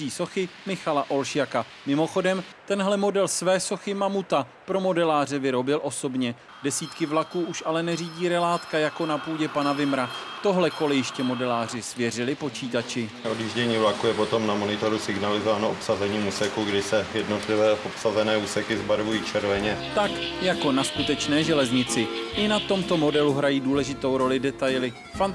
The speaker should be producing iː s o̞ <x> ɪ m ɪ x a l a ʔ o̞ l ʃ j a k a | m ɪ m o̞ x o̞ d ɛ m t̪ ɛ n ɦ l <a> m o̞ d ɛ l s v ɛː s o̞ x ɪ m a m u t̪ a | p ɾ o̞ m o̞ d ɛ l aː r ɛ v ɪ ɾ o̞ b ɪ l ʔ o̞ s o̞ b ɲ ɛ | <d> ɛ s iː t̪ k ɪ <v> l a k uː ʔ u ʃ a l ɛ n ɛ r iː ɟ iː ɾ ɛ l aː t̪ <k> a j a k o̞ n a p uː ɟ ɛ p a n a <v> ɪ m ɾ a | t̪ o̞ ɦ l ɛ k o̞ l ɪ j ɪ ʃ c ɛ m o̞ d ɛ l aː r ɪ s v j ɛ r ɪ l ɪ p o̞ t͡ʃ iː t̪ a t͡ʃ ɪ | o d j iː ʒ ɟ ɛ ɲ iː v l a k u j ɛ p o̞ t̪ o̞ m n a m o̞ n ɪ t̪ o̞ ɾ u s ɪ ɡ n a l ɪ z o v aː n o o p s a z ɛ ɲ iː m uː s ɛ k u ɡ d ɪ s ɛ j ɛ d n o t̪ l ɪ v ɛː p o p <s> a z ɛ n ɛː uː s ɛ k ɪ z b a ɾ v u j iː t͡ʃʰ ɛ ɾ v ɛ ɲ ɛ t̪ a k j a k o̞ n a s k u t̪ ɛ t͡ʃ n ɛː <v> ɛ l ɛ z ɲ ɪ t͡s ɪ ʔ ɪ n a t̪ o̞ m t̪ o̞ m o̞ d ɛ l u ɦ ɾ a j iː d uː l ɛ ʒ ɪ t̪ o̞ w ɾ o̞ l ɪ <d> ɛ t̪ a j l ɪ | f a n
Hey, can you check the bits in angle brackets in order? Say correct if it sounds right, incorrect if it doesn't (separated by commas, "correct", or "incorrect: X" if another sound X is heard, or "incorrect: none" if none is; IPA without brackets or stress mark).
correct, incorrect: ɛ, correct, correct, correct, correct, correct, incorrect: ʒ, correct